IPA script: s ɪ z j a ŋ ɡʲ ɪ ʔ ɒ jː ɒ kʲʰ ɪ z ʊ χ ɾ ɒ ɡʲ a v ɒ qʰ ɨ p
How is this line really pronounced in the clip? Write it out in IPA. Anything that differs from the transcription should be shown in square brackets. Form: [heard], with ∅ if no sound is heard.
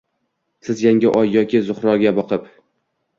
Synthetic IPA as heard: s ɪ z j a ŋ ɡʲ ɪ ʔ ɒ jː ɒ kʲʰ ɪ z ʊ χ ɾ ɒ ɡʲ a [b] ɒ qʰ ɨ p